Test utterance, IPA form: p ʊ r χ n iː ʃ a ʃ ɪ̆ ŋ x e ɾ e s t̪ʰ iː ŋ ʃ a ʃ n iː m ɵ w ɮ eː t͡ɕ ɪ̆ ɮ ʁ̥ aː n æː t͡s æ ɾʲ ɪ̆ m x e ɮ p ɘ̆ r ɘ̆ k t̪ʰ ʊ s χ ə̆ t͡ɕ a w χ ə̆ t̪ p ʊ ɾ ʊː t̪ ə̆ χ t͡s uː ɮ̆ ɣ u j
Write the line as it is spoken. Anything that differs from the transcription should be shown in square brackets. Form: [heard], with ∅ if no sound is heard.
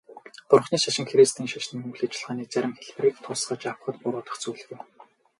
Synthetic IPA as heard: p ʊ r χ n iː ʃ a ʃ ɪ̆ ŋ x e ɾ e s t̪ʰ iː ŋ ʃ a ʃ n iː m ɵ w ɮ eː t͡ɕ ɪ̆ ɮ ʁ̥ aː n [iː] t͡s æ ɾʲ ɪ̆ m x e ɮ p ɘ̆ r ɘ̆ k t̪ʰ ʊ s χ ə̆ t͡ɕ a w χ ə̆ t̪ p ʊ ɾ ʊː t̪ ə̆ χ t͡s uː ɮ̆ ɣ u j